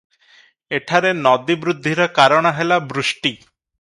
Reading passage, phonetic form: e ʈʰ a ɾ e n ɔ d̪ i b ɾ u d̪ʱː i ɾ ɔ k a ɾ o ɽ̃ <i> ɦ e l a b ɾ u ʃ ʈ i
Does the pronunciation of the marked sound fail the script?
yes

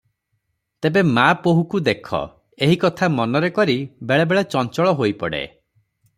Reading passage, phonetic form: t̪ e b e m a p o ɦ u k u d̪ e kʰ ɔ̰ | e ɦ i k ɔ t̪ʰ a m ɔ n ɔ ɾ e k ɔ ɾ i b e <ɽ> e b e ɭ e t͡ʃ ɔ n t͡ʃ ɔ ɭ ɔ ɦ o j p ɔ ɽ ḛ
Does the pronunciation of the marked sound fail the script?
yes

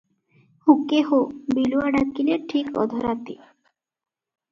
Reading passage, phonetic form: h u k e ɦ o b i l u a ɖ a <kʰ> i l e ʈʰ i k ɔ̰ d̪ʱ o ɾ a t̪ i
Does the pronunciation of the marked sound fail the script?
yes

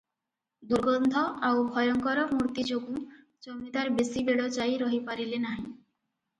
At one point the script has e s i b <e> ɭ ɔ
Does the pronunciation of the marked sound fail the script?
no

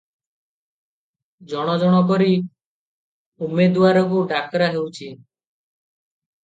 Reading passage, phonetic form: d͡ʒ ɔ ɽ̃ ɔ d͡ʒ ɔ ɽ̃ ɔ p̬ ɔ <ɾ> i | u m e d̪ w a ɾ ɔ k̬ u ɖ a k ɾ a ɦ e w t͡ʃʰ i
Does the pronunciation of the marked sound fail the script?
no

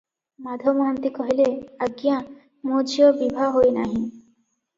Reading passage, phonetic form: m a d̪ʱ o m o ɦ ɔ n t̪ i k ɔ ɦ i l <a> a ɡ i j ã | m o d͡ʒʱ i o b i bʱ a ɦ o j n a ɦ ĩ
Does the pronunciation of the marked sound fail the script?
yes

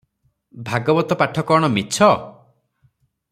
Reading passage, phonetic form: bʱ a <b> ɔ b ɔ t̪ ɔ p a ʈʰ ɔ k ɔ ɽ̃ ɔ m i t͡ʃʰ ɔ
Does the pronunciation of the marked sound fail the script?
yes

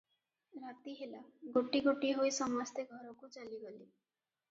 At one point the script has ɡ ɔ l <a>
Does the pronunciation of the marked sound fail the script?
yes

